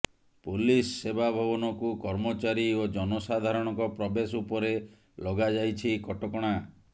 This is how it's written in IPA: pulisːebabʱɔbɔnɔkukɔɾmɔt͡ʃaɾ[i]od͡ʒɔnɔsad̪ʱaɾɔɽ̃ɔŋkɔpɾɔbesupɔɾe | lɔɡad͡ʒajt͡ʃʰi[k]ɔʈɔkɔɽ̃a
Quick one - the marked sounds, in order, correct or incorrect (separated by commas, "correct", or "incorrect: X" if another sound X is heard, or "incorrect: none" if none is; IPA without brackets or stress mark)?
correct, correct